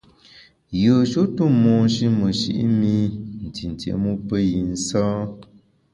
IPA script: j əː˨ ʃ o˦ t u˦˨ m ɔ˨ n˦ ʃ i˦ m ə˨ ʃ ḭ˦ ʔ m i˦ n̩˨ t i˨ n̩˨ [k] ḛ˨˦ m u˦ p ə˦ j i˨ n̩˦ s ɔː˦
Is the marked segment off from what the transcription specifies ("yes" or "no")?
yes